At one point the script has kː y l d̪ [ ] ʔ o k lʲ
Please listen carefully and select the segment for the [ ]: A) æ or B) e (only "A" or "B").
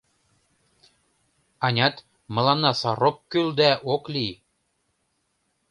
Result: A